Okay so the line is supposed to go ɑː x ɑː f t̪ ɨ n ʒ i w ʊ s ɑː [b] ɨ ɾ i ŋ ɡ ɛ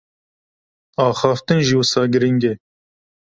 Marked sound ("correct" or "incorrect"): incorrect